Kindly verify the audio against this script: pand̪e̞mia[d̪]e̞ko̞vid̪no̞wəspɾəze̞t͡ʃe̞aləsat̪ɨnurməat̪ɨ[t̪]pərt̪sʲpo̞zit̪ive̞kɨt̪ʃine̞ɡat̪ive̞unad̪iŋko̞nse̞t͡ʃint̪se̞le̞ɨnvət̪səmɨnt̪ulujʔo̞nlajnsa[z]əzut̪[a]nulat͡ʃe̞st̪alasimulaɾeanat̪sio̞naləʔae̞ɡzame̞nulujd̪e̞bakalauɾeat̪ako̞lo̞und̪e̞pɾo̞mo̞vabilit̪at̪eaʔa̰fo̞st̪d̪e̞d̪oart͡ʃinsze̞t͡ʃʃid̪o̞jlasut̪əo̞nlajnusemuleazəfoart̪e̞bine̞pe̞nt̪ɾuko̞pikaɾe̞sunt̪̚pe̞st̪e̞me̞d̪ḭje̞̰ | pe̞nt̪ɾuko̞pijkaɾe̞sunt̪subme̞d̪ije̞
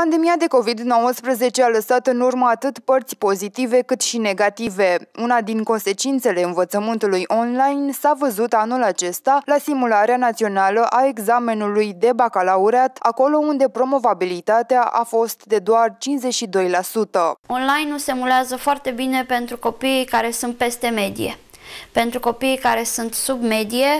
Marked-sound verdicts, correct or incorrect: correct, correct, incorrect, correct

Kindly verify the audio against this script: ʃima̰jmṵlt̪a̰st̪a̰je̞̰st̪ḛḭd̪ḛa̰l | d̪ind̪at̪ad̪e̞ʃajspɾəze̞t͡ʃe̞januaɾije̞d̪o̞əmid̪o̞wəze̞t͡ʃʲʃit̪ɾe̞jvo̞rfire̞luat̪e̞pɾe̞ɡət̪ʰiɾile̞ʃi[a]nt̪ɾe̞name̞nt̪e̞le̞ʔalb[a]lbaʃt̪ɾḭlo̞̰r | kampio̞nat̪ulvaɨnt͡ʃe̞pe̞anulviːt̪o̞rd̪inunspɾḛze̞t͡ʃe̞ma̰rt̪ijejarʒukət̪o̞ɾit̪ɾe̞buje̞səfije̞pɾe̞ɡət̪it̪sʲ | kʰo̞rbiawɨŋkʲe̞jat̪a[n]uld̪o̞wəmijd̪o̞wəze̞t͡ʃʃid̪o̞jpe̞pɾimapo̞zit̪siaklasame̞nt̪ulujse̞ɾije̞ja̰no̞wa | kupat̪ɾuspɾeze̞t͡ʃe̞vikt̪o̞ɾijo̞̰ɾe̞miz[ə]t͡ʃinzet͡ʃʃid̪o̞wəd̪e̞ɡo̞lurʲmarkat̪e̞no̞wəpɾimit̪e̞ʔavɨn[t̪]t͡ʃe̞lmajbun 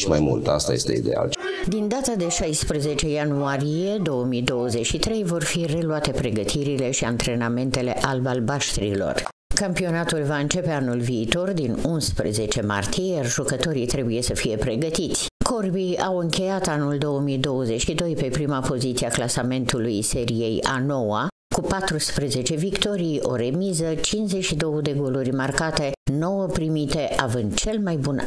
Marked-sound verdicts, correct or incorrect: correct, correct, correct, correct, incorrect

